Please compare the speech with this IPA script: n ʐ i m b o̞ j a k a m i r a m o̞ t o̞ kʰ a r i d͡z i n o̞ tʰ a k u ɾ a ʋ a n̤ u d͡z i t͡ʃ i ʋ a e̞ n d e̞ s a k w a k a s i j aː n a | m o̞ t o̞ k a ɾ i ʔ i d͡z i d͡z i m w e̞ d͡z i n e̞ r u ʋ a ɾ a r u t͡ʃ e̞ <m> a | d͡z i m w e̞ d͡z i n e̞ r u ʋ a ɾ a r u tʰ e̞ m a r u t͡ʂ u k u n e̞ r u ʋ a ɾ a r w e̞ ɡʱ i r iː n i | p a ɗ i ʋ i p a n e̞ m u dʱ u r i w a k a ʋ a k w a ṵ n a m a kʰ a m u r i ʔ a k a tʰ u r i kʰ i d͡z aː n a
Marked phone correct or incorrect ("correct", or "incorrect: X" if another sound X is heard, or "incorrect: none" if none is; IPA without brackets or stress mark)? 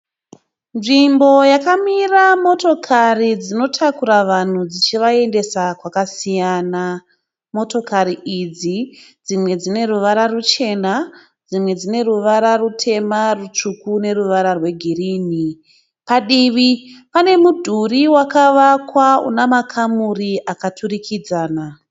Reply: incorrect: n